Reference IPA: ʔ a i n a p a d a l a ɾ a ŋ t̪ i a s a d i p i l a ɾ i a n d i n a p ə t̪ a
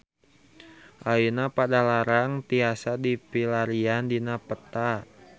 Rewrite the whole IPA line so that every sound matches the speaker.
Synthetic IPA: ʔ a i n a p a d a l a ɾ a ŋ t̪ i a s a d i p i l a ɾ i a n d i n a p ə t̪ a